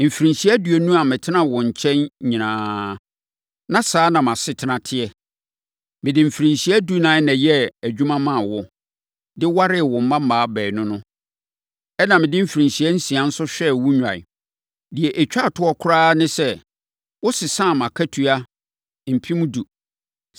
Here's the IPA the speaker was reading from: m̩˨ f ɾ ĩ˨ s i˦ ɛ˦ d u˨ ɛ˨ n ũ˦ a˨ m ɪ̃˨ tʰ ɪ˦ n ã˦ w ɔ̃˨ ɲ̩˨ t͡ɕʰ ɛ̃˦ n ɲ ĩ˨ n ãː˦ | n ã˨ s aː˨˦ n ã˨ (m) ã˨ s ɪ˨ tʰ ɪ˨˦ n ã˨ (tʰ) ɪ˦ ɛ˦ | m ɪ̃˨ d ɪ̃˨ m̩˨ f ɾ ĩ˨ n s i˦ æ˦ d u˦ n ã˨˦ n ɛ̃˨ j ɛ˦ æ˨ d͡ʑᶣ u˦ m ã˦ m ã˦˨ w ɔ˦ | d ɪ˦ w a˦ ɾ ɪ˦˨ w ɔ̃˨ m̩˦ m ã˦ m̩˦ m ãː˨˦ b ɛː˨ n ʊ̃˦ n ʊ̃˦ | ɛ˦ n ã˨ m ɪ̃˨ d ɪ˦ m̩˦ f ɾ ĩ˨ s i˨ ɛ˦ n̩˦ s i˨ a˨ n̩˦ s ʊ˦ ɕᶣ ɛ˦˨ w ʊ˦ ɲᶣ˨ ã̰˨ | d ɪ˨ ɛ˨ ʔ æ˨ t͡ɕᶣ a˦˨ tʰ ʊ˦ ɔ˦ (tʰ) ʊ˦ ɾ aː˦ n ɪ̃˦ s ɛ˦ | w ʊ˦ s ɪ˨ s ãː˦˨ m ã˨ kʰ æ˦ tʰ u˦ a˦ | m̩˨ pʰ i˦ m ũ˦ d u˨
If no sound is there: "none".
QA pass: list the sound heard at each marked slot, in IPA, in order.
m, tʰ, kʰ

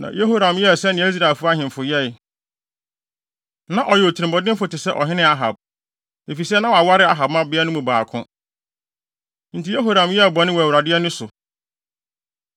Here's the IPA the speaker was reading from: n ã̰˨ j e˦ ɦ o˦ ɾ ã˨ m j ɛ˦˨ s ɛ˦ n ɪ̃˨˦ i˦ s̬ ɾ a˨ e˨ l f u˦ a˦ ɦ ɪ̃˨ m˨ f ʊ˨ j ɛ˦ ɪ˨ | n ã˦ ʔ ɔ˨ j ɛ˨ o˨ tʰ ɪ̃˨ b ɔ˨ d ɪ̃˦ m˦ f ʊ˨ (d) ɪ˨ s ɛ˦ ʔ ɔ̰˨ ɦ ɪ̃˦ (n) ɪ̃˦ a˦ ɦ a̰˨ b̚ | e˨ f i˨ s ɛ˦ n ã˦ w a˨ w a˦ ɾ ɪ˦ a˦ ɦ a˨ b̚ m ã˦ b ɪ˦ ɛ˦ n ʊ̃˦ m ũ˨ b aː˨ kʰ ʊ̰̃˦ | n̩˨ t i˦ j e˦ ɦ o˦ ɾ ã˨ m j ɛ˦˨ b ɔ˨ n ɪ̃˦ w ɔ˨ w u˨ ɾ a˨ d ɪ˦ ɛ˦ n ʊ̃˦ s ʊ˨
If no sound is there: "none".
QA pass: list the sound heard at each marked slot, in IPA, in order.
t, n

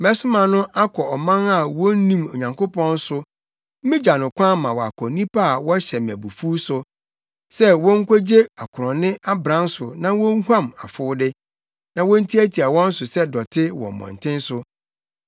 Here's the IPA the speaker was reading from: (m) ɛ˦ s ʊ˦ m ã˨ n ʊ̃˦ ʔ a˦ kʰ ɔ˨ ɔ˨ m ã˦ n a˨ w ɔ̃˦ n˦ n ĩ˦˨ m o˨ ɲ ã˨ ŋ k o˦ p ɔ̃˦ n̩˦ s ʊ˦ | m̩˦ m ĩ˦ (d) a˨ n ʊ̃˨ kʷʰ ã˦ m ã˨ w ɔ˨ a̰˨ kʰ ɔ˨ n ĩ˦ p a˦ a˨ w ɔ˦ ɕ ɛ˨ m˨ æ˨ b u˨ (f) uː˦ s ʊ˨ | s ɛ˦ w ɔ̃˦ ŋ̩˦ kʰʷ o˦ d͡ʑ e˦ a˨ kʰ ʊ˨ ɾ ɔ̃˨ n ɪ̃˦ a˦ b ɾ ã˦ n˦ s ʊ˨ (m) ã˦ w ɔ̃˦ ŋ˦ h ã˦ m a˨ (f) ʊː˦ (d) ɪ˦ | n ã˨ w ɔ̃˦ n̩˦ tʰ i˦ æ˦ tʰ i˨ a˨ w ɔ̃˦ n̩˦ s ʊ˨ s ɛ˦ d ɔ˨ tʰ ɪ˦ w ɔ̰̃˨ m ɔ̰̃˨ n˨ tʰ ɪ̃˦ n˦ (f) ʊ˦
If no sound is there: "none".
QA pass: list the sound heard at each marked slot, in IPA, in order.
m, d͡ʑ, f, n, f, d, s

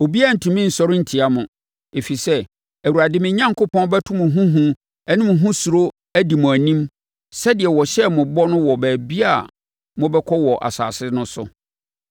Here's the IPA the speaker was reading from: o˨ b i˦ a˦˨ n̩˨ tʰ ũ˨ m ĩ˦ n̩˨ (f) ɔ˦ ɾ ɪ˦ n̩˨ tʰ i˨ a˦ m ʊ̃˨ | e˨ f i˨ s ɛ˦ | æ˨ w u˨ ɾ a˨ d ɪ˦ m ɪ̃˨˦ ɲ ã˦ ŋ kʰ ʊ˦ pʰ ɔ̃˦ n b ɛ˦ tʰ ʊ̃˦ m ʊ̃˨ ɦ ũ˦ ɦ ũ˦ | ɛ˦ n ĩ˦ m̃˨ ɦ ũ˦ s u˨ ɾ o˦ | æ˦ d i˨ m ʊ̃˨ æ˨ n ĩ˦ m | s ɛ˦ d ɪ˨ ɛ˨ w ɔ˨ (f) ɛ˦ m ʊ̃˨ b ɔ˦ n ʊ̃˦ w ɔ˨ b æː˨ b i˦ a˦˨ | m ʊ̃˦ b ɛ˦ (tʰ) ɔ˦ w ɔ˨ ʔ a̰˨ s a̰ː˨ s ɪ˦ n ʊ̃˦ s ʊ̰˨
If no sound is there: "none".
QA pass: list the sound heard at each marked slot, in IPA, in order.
s, ɕ, kʰ

